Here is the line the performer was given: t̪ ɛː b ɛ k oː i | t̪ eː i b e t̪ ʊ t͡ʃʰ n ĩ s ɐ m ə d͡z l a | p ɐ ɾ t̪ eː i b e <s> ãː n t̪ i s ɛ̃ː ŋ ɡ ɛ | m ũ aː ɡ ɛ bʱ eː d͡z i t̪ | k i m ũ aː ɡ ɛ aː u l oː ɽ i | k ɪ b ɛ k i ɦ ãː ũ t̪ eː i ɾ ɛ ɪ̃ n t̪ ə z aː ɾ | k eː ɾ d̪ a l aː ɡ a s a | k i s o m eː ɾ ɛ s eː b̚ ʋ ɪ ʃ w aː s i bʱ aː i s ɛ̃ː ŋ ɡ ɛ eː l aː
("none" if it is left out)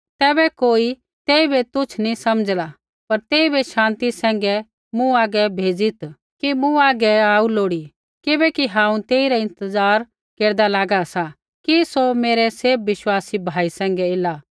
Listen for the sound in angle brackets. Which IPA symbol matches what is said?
ʃ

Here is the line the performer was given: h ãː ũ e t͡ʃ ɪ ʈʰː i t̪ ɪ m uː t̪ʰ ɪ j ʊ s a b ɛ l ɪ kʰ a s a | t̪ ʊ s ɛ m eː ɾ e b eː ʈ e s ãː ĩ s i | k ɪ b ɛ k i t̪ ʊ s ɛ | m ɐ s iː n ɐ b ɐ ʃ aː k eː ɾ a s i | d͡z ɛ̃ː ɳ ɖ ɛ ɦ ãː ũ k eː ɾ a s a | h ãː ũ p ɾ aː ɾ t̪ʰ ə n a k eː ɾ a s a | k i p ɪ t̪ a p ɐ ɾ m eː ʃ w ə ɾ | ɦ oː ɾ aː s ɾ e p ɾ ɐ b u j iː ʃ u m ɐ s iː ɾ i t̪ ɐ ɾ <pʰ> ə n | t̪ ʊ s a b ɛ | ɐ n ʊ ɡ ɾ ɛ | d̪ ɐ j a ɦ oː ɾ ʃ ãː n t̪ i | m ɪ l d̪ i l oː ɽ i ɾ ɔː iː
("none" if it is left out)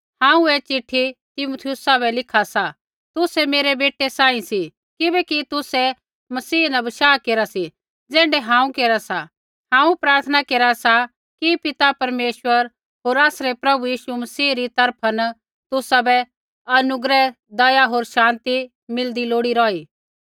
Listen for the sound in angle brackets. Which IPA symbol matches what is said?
pʰ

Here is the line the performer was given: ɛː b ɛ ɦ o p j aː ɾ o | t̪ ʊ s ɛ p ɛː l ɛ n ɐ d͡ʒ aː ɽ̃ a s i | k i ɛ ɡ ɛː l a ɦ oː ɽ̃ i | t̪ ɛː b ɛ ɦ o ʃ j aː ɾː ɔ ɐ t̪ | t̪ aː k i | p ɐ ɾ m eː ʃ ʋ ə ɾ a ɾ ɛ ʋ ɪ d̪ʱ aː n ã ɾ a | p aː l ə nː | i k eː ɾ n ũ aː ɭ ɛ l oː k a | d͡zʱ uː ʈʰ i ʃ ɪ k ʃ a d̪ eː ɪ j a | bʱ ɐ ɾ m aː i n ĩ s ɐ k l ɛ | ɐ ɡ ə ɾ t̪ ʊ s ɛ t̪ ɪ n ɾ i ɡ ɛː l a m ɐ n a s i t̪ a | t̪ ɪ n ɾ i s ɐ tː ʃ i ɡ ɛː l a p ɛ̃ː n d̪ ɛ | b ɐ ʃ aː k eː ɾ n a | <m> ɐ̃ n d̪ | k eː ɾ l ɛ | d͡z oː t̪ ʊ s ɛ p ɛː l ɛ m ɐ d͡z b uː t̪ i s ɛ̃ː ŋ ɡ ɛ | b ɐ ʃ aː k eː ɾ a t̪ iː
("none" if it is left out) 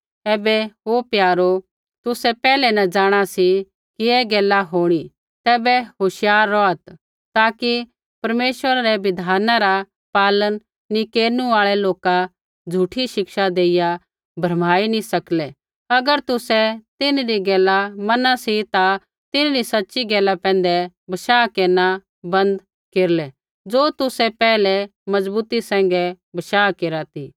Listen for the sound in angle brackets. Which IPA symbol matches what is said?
b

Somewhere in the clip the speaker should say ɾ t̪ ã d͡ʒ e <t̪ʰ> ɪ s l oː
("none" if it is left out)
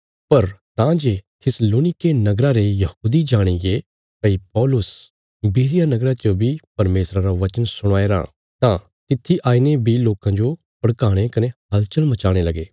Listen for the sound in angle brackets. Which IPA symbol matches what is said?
t̪ʰ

